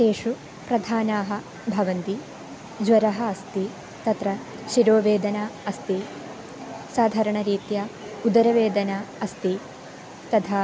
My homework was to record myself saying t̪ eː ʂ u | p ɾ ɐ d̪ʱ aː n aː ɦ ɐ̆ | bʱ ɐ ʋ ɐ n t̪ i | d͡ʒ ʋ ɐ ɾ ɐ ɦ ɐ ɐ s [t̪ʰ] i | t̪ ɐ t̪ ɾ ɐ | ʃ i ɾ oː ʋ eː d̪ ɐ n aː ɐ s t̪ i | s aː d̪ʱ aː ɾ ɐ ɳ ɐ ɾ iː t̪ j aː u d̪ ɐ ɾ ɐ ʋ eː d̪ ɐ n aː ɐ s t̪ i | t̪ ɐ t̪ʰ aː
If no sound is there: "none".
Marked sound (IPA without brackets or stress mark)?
t̪